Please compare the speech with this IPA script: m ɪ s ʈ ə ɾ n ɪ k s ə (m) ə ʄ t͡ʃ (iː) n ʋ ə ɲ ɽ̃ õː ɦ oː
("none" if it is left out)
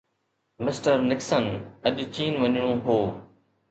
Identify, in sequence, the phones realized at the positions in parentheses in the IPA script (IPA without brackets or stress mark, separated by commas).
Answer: n, iː